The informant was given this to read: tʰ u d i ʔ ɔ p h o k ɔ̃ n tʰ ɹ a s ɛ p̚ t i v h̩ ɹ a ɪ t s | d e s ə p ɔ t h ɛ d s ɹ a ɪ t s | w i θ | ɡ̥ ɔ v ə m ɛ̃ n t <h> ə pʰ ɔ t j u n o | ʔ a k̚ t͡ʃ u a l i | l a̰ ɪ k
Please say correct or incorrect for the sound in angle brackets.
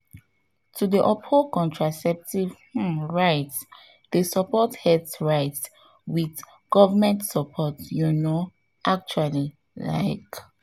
incorrect